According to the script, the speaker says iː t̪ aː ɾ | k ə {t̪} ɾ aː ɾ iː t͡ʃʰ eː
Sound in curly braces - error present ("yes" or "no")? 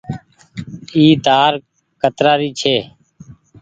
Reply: no